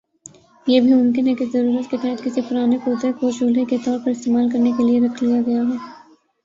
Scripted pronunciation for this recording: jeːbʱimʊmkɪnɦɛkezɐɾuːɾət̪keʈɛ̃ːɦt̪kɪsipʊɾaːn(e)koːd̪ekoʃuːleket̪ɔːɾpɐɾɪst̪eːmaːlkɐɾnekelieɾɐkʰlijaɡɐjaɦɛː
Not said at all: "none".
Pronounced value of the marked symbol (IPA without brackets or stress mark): e